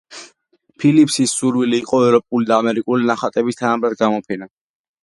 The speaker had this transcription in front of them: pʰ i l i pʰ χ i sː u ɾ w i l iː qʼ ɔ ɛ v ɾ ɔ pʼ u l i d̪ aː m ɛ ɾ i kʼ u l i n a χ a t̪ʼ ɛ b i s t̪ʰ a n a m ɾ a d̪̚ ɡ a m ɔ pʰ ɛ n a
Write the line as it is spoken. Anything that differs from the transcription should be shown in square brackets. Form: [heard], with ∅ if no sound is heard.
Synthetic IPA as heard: pʰ i l i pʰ [s] i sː u ɾ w i l iː qʼ ɔ ɛ v ɾ ɔ pʼ u l i d̪ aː m ɛ ɾ i kʼ u l i n a χ a t̪ʼ ɛ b i s t̪ʰ a n a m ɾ a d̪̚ ɡ a m ɔ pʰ ɛ n a